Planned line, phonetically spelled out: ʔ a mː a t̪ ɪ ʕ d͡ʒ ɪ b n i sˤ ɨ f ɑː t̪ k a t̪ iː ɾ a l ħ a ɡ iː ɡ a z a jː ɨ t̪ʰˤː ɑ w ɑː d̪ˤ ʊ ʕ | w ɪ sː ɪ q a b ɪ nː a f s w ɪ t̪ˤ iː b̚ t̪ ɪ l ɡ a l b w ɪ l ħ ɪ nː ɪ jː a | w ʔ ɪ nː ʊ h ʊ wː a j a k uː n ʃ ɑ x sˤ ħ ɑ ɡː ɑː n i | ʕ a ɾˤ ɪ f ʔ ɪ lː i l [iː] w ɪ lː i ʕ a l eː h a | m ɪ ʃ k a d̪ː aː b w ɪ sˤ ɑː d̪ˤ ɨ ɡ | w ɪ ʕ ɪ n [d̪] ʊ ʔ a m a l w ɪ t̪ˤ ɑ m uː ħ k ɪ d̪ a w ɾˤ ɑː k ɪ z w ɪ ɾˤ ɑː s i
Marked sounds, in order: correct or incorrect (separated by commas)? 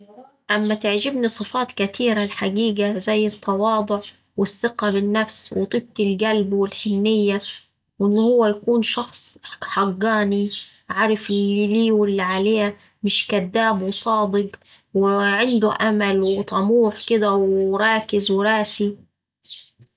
correct, correct